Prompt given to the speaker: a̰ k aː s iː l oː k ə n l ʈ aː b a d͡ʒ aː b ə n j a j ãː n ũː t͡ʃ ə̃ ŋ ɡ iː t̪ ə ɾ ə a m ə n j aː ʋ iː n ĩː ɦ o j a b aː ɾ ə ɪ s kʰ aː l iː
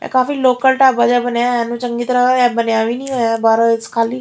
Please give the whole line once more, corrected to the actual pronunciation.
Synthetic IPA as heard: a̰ k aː f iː l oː k ə l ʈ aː b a d͡ʒ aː b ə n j a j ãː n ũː t͡ʃ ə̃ ŋ ɡ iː t̪ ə ɾ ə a b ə n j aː ʋ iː n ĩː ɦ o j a b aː ɾ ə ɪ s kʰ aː l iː